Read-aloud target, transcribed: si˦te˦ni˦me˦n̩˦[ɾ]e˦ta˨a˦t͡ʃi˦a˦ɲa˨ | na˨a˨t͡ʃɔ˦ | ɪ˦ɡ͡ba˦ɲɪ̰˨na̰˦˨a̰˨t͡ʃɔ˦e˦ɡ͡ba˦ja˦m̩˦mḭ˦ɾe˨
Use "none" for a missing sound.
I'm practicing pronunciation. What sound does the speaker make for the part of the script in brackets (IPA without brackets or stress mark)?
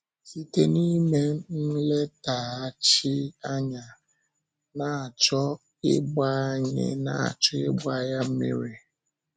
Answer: l